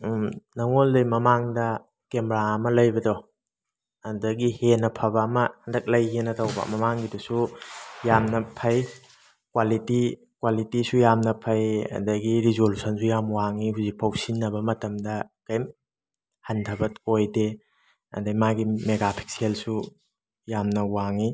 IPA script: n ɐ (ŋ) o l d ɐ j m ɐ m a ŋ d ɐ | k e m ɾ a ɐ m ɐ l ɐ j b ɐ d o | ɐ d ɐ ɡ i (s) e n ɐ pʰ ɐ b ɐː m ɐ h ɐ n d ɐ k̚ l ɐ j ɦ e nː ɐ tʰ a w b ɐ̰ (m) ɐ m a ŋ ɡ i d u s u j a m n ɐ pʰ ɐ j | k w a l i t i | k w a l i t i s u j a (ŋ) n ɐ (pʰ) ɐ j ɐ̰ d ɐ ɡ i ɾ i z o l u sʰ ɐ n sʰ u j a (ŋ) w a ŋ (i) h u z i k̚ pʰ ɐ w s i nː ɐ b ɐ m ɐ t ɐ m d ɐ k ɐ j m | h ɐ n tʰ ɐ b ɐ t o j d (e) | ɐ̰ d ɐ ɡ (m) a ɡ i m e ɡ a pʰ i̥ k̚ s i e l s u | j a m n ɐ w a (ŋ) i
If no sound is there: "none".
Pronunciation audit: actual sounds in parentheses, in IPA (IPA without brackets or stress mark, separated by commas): ŋ, h, m, m, pʰ, m, i, e, m, ŋ